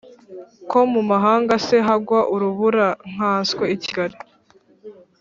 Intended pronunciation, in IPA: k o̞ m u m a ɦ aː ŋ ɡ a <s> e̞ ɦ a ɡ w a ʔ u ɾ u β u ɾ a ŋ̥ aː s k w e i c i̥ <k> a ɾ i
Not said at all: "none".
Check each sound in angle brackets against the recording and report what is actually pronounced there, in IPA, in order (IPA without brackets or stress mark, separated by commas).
s, ɡ